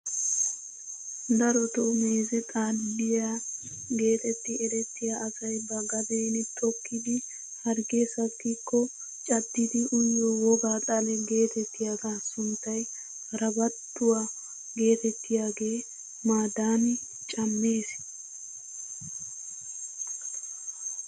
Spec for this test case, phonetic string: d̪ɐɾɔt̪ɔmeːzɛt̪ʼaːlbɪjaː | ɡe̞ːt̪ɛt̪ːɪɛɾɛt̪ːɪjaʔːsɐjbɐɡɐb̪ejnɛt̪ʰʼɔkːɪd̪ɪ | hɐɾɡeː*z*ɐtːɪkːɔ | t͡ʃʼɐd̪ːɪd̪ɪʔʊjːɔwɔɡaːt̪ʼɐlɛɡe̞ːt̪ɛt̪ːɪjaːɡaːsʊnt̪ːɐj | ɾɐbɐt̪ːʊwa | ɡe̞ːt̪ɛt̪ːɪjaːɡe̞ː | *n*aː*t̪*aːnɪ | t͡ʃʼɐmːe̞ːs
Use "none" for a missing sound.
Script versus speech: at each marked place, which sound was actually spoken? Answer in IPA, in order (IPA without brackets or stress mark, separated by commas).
s, m, d̪